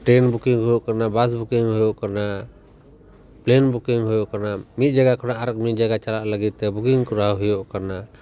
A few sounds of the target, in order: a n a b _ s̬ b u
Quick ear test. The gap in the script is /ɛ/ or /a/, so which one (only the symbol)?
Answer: a